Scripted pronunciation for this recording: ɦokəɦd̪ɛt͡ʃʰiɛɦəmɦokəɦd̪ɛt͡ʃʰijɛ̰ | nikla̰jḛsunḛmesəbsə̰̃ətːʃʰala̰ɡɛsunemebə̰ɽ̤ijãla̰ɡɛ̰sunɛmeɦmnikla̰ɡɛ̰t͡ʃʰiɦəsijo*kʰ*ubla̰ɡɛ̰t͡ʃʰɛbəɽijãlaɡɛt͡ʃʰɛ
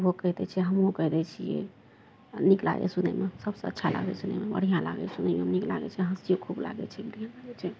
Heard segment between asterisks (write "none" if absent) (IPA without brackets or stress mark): kʰ